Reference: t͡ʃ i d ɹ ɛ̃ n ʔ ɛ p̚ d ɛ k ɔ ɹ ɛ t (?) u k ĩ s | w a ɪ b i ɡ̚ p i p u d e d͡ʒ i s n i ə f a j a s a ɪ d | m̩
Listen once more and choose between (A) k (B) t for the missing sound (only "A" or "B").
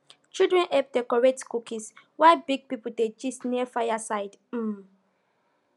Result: A